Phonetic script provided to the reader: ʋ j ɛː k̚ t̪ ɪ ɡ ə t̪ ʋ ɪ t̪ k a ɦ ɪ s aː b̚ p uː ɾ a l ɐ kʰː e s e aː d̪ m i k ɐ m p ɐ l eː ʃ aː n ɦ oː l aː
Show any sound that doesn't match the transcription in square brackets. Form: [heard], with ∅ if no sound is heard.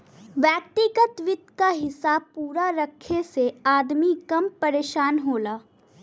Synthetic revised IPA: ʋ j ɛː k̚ t̪ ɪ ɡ ə t̪ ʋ ɪ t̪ k a ɦ ɪ s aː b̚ p uː ɾ a [ɾ] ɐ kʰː e s e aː d̪ m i k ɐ m p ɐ [ɾ] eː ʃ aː n ɦ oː l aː